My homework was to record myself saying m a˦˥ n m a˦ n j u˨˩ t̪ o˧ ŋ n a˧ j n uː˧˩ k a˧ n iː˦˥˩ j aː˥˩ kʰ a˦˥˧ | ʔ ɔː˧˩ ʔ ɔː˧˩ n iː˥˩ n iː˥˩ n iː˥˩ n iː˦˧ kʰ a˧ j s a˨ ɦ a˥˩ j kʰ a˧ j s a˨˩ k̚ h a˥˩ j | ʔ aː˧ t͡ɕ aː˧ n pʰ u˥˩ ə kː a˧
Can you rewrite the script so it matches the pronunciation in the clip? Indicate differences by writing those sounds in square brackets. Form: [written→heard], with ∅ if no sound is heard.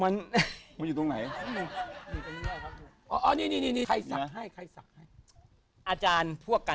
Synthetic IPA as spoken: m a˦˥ n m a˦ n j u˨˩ t̪ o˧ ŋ n [a˧→a˩˦] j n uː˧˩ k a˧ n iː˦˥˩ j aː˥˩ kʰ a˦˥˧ | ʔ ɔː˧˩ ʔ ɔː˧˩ n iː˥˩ n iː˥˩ n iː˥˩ n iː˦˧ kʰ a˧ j s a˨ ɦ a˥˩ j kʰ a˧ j s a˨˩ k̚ h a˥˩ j | ʔ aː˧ t͡ɕ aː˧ n pʰ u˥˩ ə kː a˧